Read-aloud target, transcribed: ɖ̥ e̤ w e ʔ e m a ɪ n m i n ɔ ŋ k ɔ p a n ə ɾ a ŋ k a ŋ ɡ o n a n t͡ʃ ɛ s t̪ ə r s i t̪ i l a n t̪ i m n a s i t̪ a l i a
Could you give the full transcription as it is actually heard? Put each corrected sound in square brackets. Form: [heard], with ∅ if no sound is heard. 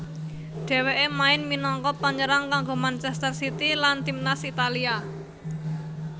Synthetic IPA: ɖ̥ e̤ w e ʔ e m a ɪ n m i n ɔ ŋ k ɔ p a [ɲ] ə ɾ a ŋ k a ŋ ɡ o [m] a n t͡ʃ ɛ s t̪ ə r s i t̪ i l a n t̪ i m n a s i t̪ a l i a